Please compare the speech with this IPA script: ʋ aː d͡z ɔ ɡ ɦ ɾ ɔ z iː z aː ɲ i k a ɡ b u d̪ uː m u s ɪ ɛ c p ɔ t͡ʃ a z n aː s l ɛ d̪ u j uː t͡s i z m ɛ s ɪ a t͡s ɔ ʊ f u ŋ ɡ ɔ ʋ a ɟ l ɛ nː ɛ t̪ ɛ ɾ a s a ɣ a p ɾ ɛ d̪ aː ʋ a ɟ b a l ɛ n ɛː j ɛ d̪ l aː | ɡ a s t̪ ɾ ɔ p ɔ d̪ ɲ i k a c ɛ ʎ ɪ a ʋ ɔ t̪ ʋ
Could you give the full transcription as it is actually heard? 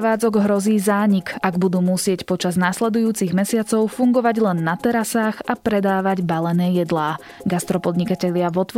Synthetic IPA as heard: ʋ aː d͡z ɔ ɡ ɦ ɾ ɔ z iː z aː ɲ i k a ɡ b u d̪ uː m u s ɪ ɛ c p ɔ t͡ʃ a z n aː s l ɛ d̪ u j uː t͡s i ɣ m ɛ s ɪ a t͡s ɔ ʊ f u ŋ ɡ ɔ ʋ a ɟ l ɛ nː a t̪ ɛ ɾ a s a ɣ a p ɾ ɛ d̪ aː ʋ a ɟ b a l ɛ n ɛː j ɛ d̪ l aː | ɡ a s t̪ ɾ ɔ p ɔ d̪ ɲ i k a c ɛ ʎ ɪ a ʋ ɔ t̪ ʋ